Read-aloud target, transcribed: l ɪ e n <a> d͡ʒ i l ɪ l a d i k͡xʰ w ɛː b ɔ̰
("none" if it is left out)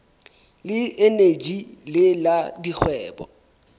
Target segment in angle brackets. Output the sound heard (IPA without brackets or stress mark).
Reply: e